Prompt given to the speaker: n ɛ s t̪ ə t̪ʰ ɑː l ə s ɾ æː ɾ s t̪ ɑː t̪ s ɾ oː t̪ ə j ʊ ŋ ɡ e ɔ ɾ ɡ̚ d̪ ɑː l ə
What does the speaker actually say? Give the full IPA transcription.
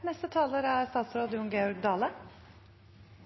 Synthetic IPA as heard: n ɛ s t̪ ə t̪ʰ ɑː l ə ɾ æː ɾ s t̪ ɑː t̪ s ɾ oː d̪ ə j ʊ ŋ ɡ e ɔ ɾ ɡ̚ d̪ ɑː l ə